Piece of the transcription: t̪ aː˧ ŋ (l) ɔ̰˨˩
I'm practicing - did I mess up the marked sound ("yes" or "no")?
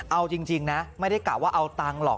no